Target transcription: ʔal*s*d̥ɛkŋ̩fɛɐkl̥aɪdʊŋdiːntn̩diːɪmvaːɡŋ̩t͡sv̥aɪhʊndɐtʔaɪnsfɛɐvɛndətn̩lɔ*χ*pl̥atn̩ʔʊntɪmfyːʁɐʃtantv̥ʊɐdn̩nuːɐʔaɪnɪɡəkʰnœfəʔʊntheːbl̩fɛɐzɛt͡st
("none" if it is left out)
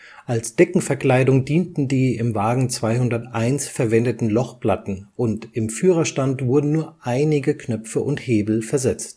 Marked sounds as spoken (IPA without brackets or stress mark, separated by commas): s, χ